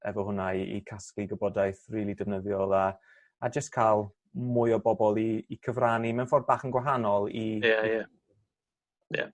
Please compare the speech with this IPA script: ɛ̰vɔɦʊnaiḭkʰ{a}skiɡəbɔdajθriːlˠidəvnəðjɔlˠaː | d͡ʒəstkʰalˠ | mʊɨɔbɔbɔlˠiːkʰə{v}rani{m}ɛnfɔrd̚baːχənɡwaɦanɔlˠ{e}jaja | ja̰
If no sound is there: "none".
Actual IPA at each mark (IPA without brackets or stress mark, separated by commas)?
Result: a, v, m, i